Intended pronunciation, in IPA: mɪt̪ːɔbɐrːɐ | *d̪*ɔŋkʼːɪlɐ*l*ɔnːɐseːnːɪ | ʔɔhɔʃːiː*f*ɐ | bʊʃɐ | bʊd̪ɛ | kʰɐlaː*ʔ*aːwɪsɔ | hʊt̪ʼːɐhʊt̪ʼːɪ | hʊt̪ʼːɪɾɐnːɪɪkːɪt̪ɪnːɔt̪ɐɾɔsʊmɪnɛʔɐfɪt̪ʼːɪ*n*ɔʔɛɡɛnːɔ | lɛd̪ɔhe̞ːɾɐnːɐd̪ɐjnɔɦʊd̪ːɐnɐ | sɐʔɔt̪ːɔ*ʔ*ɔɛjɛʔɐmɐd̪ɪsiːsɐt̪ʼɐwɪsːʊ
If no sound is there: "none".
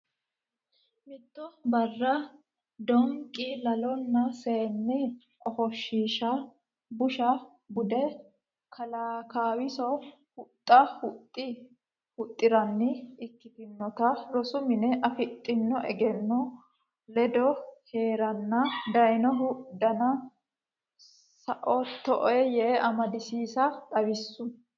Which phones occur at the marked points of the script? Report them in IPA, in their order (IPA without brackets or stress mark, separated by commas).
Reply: d̪, l, ʃ, k, nː, ʔ